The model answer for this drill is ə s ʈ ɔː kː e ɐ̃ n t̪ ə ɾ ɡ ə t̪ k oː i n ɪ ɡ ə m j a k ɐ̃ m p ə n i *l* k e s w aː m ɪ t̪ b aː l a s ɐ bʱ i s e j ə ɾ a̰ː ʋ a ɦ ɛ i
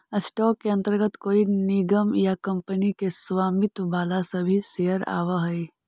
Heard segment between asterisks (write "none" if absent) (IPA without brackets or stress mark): none